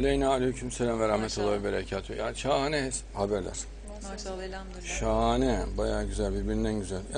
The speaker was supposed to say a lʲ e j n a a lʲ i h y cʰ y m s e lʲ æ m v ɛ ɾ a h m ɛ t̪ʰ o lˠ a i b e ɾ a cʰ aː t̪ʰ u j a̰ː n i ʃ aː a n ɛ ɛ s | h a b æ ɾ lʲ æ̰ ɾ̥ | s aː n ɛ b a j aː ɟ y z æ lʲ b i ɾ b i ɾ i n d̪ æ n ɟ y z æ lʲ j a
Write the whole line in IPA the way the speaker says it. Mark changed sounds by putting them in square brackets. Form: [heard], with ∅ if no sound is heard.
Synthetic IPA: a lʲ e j n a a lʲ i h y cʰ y m s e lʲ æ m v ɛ ɾ a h m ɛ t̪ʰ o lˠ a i b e ɾ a cʰ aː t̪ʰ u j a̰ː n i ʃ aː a n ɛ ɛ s | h a b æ ɾ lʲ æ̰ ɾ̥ | [ʃ] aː n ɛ b a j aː ɟ y z æ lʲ b i ɾ b i ɾ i n d̪ æ n ɟ y z æ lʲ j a